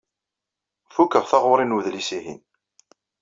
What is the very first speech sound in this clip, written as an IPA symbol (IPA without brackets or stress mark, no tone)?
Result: f